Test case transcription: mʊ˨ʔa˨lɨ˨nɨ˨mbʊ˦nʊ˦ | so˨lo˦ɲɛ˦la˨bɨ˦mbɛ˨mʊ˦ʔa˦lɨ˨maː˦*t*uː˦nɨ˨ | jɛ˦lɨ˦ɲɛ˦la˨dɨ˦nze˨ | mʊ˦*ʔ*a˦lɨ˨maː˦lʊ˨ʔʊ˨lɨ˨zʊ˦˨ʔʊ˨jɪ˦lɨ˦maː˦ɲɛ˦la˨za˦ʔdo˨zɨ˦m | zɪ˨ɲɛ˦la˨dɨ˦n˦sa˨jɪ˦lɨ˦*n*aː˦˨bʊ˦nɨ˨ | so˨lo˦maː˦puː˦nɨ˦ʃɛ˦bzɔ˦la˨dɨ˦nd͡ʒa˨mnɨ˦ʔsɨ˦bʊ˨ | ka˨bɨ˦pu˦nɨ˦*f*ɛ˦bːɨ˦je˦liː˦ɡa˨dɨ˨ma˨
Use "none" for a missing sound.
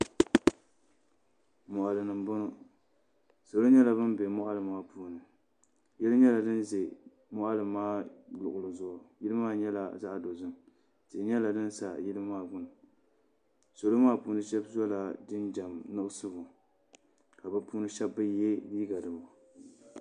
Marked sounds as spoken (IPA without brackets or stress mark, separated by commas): p, ʔ, m, ʃ